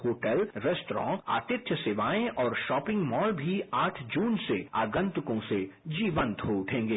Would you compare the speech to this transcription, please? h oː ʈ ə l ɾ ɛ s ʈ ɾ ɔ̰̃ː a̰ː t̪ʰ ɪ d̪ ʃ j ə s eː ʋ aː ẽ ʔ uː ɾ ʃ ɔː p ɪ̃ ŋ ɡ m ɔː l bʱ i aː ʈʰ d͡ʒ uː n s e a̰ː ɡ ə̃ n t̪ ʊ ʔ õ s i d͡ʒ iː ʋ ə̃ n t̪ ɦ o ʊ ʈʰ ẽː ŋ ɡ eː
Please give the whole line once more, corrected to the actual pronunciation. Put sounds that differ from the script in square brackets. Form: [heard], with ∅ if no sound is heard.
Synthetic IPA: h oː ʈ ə l ɾ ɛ s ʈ ɾ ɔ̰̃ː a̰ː [t̪] ɪ [t̪] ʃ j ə s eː ʋ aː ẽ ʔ [ɔː] ɾ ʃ ɔː p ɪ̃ ŋ ɡ m ɔː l bʱ i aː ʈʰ d͡ʒ uː n s e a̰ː ɡ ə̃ n t̪ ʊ [k] õ s [e] d͡ʒ iː ʋ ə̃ n t̪ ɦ o ʊ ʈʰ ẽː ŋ ɡ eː